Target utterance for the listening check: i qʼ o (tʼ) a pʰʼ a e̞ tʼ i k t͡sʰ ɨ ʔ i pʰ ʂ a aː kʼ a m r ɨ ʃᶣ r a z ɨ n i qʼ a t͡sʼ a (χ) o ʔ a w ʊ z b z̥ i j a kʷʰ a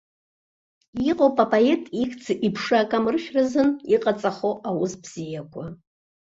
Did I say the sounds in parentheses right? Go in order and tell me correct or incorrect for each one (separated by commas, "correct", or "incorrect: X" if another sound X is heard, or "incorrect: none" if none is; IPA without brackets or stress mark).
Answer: incorrect: pʼ, correct